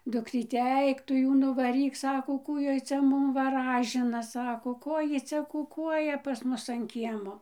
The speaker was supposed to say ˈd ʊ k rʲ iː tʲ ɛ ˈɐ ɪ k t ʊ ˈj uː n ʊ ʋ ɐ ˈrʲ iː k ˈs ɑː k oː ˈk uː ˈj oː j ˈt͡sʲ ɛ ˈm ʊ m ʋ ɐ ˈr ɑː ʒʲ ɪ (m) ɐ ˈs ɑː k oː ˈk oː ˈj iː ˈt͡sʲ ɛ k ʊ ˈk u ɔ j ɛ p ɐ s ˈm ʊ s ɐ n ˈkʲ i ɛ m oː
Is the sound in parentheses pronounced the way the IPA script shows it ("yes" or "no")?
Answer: no